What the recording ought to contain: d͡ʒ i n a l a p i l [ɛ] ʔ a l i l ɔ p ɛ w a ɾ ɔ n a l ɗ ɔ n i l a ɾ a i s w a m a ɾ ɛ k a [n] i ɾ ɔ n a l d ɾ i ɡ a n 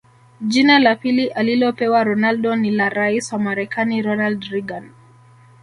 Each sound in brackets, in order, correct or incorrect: incorrect, correct

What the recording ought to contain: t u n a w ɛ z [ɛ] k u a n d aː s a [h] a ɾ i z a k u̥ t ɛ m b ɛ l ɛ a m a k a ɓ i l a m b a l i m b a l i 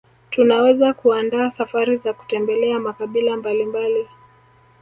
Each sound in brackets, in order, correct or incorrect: incorrect, incorrect

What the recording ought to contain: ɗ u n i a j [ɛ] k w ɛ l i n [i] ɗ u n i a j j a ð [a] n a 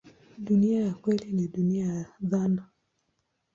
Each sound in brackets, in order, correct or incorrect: incorrect, correct, correct

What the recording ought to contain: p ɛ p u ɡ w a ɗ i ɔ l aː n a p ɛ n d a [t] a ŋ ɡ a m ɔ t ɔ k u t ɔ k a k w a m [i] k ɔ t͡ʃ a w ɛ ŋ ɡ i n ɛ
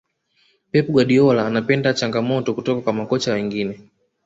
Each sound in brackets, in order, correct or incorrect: incorrect, incorrect

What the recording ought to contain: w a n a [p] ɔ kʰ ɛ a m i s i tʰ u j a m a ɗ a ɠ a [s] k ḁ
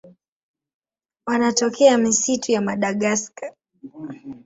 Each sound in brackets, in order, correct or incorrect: incorrect, correct

